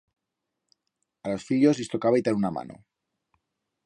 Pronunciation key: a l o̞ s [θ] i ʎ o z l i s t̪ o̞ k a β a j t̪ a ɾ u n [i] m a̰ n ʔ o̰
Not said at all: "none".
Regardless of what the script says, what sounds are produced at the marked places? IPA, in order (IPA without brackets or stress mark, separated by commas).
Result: f, a